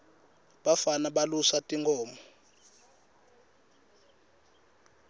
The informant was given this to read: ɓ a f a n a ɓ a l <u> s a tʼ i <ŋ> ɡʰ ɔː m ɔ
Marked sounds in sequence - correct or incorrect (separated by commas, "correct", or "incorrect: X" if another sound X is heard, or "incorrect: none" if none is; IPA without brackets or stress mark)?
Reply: correct, correct